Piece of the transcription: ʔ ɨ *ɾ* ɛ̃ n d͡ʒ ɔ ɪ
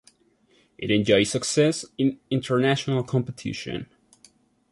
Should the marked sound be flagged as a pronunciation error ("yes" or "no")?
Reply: no